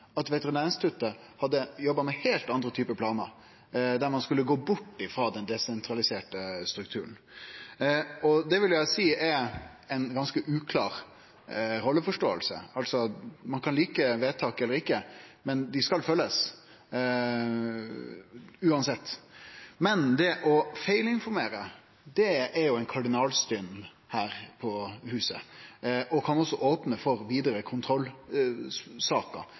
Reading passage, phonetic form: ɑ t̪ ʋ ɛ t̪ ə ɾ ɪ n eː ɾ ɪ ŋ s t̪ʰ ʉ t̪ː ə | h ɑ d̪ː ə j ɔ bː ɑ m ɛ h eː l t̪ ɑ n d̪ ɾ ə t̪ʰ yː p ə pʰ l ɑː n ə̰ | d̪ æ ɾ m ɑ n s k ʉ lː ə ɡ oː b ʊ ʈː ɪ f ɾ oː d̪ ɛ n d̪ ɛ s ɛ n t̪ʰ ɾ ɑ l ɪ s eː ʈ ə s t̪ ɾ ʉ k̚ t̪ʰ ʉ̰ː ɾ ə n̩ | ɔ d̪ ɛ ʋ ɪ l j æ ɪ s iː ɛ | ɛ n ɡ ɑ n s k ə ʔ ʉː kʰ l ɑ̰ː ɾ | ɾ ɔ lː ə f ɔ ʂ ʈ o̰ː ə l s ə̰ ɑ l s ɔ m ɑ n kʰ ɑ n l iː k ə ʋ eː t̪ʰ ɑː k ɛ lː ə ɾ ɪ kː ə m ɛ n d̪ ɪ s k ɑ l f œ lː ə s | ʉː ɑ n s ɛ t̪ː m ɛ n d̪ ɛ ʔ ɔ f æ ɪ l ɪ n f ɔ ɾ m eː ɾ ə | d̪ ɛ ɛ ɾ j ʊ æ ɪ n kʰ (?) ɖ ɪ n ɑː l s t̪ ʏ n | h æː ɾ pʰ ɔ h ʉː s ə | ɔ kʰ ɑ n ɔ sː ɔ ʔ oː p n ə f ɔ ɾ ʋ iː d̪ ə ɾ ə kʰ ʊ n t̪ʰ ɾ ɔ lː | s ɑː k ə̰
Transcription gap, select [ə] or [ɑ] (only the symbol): ɑ